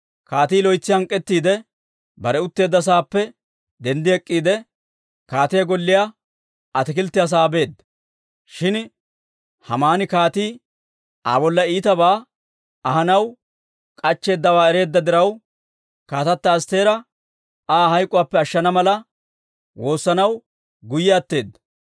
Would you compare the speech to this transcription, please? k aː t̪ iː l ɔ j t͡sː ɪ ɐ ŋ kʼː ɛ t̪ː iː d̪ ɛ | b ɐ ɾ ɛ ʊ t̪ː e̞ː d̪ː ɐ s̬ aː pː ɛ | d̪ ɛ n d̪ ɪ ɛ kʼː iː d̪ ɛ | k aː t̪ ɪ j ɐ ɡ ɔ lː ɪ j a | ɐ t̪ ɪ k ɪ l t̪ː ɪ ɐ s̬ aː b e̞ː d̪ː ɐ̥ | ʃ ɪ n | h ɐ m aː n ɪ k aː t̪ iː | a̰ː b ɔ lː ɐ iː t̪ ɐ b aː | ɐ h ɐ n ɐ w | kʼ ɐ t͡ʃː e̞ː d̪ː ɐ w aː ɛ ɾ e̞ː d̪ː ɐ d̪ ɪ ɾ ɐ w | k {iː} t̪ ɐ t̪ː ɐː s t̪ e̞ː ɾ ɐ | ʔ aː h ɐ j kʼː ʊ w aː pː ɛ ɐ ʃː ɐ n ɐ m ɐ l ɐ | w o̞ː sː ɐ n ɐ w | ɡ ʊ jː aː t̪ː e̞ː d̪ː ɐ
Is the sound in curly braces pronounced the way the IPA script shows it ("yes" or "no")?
no